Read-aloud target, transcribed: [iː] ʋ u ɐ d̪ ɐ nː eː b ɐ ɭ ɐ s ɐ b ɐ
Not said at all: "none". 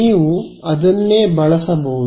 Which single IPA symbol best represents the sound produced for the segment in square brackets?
iː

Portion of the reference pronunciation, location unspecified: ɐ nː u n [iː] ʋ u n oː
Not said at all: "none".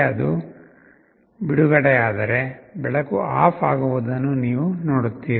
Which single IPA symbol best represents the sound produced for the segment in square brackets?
iː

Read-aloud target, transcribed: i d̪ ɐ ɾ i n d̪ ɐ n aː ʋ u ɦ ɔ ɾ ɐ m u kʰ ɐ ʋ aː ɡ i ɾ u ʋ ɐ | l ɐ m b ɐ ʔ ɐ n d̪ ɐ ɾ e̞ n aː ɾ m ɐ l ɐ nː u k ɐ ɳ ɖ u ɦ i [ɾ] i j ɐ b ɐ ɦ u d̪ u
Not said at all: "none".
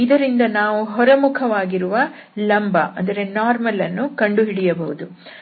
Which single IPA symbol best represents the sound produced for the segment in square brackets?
ɽ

